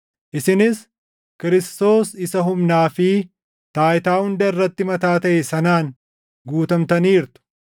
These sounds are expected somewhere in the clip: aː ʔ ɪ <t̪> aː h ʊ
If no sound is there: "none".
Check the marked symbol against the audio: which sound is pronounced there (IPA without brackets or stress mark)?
t̪